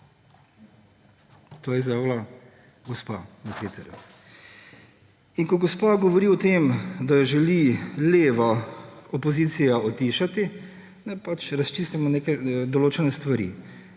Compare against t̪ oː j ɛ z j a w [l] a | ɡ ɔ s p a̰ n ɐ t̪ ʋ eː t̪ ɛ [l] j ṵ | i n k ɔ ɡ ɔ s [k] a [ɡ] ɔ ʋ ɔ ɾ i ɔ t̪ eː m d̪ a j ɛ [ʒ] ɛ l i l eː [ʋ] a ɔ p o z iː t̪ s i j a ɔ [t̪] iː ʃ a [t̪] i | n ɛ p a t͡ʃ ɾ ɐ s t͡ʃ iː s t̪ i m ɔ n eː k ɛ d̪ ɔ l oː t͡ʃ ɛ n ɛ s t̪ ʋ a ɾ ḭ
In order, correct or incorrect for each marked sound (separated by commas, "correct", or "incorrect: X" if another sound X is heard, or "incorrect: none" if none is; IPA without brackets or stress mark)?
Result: correct, incorrect: ɾ, incorrect: p, correct, correct, correct, correct, correct